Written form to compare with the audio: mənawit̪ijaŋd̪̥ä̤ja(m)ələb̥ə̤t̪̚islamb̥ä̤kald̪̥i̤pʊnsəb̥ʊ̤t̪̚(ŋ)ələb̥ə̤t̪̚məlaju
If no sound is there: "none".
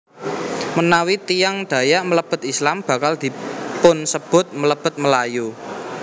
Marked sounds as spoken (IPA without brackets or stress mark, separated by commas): m, m